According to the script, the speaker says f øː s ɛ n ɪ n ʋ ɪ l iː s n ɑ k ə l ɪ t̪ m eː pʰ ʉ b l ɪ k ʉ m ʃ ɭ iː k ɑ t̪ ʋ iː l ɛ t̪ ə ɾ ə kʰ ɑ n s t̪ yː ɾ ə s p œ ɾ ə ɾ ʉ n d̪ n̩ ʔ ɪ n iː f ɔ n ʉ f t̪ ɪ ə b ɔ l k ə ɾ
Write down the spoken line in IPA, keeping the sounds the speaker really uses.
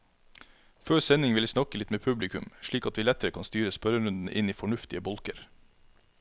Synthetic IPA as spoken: f øː s ɛ n ɪ ŋ ʋ ɪ l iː s n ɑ k ə l ɪ t̪ m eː pʰ ʉ b l ɪ k ʉ m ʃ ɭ iː k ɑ t̪ ʋ iː l ɛ t̪ ə ɾ ə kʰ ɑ n s t̪ yː ɾ ə s p œ ɾ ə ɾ ʉ n d̪ n̩ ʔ ɪ n iː f ɔ ɳ ʉ f t̪ ɪ ə b ɔ l k ə ɾ